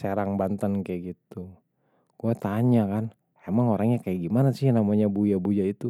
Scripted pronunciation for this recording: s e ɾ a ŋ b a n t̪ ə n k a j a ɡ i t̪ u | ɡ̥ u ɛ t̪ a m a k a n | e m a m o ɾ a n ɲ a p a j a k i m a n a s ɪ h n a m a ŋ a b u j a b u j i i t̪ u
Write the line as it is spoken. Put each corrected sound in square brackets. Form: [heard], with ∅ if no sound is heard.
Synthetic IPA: s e ɾ a ŋ b a n t̪ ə n k a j a ɡ i t̪ u | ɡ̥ u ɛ t̪ a [ɲ] a k a n | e m a [ŋ] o ɾ a [ŋ] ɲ a [k] a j a [ɡ] i m a n a s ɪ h n a m a [ɲ] a b u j a b u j [a] i t̪ u